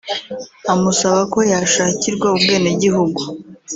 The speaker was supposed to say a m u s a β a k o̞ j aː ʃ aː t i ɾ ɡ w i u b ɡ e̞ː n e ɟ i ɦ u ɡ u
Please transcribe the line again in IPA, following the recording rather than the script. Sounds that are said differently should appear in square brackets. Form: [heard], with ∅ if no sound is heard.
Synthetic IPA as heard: a m u s a β a k o̞ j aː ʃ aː [c] i ɾ ɡ w [a] u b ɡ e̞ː n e ɟ i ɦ u ɡ u